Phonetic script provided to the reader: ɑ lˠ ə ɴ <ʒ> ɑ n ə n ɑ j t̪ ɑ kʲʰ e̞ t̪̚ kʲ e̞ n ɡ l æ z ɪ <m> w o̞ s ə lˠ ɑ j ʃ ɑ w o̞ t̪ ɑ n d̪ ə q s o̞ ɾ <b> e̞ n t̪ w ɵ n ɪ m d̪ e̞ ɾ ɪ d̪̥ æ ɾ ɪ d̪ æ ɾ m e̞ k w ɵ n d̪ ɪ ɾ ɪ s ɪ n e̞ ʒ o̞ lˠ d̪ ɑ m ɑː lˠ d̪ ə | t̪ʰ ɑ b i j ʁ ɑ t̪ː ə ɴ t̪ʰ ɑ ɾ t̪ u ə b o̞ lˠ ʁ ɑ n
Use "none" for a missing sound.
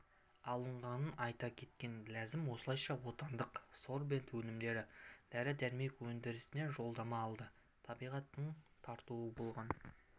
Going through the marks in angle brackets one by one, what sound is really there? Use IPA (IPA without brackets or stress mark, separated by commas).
ʁ, m, b